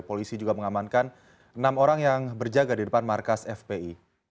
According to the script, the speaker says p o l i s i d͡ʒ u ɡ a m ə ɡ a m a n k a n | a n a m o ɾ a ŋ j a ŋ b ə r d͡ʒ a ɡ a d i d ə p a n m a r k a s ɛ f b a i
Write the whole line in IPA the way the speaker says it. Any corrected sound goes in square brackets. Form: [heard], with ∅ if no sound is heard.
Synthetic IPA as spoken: p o l i s i d͡ʒ u ɡ a m ə [ŋ] a m a n k a n | [ə] n a m o ɾ a ŋ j a ŋ b ə r d͡ʒ a ɡ a d i d ə p a n m a r k a s ɛ f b [e] i